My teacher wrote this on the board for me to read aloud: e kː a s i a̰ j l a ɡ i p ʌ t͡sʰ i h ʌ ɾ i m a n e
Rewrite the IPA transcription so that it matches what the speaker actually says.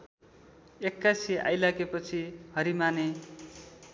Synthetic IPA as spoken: e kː a s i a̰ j l a ɡ e p ʌ t͡sʰ i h ʌ ɾ i m a n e